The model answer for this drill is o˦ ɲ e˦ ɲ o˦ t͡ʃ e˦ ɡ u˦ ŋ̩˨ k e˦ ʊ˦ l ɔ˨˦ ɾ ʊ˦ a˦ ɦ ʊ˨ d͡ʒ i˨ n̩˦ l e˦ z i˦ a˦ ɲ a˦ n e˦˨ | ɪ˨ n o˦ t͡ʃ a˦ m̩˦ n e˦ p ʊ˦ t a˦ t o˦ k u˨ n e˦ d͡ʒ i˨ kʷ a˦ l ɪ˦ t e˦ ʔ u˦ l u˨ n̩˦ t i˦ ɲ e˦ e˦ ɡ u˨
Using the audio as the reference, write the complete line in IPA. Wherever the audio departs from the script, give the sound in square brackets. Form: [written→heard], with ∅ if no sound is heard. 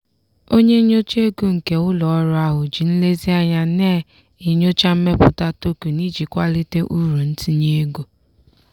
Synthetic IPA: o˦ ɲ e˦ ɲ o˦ t͡ʃ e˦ ɡ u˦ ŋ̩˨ k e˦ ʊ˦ l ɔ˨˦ ɾ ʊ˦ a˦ ɦ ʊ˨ d͡ʒ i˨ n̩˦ l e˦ z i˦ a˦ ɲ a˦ n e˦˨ | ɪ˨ [n→ɲ] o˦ t͡ʃ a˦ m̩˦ [n→m] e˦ p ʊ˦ t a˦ t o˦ k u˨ n [e˦→i˦] d͡ʒ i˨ kʷ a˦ l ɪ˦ t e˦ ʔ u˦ [l→ɾ] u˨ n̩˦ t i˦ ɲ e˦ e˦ ɡ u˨